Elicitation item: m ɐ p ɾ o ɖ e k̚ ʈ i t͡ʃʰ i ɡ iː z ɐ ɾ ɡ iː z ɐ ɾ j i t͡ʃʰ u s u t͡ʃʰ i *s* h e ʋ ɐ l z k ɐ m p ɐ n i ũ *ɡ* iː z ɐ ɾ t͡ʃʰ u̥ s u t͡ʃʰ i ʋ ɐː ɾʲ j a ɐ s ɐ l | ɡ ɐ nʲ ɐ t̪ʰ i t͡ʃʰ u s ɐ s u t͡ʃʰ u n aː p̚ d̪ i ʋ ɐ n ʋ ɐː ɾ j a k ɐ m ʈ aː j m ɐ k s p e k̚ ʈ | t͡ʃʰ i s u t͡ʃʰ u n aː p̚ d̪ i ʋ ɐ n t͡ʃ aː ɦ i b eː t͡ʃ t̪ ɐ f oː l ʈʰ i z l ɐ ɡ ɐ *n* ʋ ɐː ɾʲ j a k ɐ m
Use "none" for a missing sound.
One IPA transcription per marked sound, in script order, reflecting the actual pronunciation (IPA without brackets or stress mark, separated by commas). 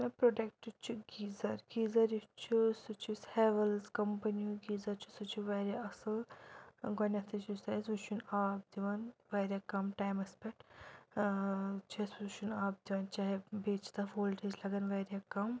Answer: s, ɡ, n